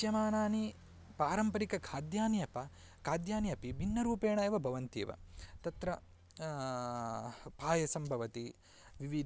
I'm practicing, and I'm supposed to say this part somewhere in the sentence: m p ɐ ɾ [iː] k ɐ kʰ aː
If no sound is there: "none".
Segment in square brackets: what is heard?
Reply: i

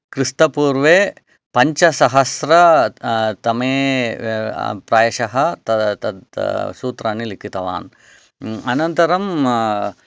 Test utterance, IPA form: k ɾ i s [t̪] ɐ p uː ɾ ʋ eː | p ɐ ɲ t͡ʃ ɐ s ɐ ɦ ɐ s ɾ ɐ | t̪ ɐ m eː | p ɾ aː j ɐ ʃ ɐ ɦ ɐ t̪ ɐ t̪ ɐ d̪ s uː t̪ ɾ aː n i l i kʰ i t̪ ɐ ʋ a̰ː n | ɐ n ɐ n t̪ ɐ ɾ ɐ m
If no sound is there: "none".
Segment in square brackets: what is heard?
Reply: t̪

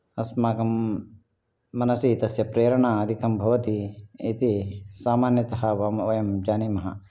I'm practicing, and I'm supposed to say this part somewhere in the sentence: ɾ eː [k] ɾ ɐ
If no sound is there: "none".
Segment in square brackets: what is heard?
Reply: none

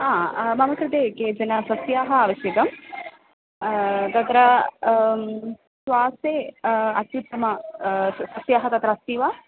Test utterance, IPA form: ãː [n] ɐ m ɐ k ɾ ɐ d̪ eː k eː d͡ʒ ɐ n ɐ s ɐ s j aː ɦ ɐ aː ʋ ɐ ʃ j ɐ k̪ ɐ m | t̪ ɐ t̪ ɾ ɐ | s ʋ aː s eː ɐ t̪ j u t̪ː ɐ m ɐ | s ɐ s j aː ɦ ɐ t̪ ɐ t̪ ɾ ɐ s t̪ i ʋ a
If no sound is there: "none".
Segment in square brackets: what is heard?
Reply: m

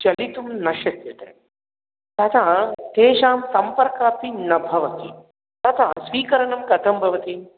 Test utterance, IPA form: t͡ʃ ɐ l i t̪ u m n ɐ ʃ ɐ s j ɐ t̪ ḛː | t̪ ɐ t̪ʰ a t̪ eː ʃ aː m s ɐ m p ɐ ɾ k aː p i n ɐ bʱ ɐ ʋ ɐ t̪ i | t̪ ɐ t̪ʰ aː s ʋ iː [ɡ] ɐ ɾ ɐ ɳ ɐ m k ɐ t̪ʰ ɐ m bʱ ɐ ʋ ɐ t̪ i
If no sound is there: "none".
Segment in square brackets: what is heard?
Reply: k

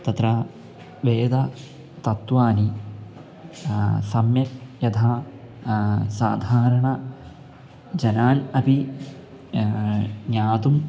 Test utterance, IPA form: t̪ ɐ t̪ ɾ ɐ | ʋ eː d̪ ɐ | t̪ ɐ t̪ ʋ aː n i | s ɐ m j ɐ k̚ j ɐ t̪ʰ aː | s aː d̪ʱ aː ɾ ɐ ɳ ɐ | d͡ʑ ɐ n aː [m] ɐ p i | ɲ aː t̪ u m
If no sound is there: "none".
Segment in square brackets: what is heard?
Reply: n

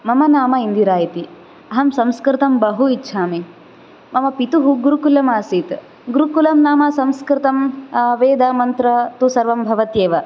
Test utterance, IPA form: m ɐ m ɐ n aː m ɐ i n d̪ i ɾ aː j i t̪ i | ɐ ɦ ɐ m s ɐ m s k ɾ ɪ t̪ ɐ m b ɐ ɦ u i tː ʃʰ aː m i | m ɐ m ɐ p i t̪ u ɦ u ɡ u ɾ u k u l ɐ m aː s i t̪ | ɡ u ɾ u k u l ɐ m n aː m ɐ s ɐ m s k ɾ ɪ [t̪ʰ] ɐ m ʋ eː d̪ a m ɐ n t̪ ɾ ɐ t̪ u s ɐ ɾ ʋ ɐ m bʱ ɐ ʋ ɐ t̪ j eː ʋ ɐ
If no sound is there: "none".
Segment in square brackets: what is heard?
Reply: t̪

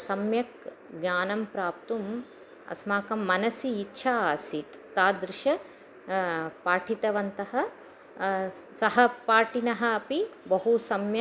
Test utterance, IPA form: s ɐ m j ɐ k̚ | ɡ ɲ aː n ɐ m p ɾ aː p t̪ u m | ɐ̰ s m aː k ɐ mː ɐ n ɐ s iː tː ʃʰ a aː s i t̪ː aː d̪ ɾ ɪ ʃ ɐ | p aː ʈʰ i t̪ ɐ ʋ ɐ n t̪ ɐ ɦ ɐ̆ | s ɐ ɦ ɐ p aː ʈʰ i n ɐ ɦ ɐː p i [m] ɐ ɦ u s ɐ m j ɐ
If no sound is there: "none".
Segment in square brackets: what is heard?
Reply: b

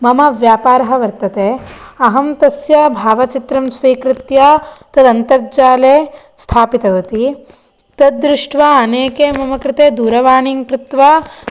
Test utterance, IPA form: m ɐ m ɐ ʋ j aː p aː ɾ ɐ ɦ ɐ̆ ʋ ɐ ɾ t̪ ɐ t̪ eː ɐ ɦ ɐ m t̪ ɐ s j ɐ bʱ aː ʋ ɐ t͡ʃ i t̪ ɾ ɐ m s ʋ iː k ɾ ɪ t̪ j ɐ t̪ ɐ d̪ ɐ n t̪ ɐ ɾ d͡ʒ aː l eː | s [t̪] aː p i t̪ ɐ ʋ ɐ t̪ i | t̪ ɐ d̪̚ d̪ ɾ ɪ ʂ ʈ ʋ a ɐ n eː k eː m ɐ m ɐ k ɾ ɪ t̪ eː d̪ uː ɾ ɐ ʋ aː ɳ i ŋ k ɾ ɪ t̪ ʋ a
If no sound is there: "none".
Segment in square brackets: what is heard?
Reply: t̪ʰ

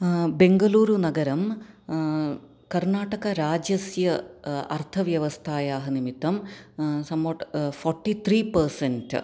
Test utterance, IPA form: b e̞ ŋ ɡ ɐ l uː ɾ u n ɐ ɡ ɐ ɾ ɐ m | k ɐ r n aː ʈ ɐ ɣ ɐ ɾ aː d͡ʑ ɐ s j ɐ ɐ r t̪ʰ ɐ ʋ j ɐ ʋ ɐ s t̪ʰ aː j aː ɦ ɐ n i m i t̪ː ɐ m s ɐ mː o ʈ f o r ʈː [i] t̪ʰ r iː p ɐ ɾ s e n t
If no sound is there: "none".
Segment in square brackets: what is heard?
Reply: i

